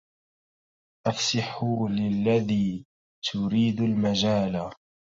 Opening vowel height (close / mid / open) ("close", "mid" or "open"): open